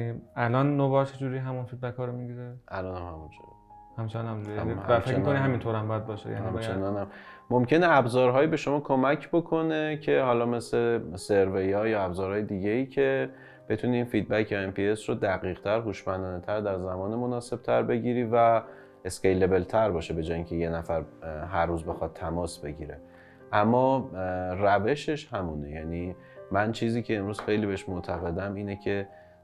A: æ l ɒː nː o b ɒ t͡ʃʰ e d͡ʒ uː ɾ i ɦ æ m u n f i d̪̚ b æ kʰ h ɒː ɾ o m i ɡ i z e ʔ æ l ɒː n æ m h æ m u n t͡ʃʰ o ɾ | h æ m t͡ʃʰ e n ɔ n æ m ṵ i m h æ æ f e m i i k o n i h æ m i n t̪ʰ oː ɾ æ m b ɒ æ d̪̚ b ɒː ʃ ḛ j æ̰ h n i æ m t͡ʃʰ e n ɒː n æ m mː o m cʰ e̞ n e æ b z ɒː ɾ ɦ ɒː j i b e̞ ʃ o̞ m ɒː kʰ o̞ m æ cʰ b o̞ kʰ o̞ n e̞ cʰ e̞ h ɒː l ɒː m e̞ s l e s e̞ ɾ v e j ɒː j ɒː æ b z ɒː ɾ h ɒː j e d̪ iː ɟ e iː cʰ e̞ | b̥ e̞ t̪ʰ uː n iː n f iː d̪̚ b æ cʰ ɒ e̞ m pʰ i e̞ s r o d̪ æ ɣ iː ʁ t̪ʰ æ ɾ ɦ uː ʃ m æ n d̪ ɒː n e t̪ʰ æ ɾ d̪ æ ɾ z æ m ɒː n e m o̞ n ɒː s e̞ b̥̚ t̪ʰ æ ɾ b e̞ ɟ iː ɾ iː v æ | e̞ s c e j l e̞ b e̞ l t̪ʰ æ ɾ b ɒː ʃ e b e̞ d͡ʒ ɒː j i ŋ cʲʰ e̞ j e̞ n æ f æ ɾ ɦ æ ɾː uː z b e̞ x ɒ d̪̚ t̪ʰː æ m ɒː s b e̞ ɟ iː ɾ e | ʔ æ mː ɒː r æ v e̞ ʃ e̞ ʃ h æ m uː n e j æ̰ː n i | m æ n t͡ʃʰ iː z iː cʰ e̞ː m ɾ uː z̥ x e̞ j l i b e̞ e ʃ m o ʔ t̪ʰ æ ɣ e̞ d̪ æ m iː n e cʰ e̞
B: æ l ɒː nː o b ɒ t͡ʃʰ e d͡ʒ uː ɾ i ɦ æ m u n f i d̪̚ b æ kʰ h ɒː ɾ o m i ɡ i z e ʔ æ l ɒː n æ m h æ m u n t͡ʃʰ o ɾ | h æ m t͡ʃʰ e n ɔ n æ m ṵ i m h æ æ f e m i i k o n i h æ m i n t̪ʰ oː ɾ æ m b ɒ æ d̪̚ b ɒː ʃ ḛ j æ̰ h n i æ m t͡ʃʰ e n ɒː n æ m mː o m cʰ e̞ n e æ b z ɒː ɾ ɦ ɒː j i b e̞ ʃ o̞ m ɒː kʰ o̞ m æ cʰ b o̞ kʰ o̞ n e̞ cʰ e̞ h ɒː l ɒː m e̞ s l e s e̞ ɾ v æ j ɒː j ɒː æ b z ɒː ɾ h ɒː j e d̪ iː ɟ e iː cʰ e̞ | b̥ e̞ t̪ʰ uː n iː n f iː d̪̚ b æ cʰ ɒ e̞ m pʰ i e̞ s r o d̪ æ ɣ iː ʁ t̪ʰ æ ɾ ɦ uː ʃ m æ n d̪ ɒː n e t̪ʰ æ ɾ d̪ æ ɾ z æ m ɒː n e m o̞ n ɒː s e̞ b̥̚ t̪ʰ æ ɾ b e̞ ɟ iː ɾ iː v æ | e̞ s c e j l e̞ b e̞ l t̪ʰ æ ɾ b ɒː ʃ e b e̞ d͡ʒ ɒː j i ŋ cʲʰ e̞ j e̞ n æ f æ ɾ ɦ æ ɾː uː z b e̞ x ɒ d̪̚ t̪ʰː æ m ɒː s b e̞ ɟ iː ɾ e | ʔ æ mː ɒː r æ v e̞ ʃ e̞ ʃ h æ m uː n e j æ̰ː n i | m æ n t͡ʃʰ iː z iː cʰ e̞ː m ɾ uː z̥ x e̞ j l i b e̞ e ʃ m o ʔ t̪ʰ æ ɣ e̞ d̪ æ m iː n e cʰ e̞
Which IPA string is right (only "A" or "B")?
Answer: A